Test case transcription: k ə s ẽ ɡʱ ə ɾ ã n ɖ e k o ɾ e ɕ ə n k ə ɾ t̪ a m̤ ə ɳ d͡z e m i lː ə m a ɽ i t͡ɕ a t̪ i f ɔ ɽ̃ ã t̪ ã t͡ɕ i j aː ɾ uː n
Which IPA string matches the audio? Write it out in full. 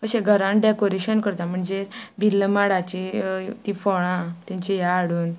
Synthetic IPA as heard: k ə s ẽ ɡʱ ə ɾ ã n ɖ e k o ɾ e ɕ ə n k ə ɾ t̪ a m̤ ə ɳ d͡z e b i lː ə m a ɽ a t͡ɕ i t̪ i f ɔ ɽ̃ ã t̪ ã t͡ɕ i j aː ɽ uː n